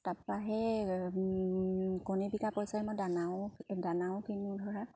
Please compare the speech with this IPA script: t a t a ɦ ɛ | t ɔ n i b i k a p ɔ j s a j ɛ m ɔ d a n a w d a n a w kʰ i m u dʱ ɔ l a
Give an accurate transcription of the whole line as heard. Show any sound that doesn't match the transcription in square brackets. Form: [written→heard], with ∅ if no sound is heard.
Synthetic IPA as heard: t a [t→p] a ɦ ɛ | [t→k] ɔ n i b i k a p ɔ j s a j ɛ m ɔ d a n a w d a n a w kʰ i [m→n] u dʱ ɔ [l→ɹ] a